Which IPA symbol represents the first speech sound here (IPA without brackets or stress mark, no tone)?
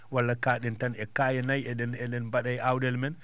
w